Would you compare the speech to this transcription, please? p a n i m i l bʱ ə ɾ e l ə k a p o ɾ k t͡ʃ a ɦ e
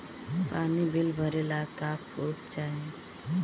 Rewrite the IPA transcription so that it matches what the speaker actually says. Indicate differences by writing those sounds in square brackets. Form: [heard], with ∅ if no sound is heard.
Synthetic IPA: p a n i [b] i l bʱ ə ɾ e l [a] k a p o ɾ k t͡ʃ a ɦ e